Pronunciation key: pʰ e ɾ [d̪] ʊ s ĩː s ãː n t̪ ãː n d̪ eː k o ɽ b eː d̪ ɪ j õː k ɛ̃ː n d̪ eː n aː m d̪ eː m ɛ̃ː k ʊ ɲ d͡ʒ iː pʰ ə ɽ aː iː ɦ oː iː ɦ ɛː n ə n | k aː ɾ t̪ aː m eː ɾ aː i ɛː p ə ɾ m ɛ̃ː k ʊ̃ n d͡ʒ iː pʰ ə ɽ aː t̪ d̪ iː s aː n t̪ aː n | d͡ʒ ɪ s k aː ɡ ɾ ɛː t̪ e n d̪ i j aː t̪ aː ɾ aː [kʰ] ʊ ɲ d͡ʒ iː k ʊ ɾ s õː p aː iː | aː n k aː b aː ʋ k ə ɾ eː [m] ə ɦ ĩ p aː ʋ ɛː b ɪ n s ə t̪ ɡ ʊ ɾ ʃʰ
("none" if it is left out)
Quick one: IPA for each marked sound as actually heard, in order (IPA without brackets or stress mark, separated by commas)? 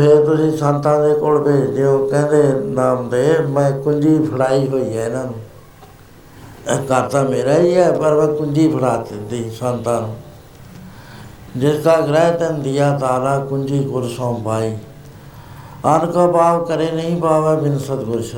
t̪, k, n